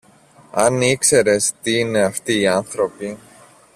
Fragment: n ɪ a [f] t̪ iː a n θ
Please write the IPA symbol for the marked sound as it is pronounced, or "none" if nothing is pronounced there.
f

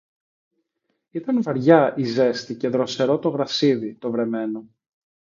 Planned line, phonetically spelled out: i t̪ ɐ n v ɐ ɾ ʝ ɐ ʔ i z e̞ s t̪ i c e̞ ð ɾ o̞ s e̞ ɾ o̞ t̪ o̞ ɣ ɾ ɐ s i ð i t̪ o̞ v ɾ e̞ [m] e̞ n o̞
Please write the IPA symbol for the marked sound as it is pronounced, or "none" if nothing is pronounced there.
m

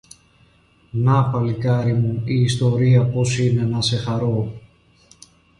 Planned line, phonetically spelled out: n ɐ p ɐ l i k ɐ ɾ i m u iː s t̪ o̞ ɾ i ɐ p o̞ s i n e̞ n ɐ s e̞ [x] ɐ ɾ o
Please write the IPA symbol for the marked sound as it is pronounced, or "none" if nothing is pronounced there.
x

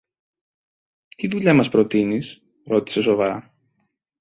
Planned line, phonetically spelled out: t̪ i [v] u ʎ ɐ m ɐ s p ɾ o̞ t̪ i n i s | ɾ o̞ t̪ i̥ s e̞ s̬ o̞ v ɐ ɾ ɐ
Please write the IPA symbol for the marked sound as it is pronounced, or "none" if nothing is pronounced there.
ð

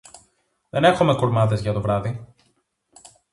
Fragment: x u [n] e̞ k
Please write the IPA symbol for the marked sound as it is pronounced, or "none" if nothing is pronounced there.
m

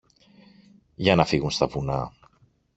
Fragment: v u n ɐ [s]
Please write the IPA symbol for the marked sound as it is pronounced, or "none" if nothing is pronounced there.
none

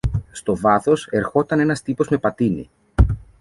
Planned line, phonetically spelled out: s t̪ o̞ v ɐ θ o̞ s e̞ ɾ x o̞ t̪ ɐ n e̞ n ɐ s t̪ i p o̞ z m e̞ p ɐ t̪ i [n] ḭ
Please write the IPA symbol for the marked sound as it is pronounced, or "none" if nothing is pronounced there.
n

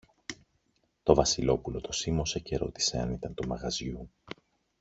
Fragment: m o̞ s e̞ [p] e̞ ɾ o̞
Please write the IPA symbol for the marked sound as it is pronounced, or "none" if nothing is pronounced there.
c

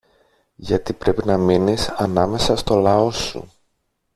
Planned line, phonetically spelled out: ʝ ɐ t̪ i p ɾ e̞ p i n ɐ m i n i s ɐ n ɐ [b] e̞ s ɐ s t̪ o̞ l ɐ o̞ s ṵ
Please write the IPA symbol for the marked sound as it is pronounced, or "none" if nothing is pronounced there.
m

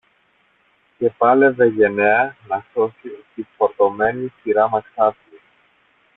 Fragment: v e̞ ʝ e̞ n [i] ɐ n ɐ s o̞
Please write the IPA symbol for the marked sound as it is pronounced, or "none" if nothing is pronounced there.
e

